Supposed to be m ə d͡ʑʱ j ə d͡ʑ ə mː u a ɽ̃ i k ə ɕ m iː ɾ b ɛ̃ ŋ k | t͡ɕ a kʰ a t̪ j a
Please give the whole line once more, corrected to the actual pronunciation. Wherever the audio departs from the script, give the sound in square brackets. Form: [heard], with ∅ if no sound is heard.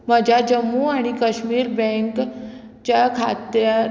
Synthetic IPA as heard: m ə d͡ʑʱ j [a] d͡ʑ ə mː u a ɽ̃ i k ə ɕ m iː ɾ b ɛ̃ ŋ k | t͡ɕ a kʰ a t̪ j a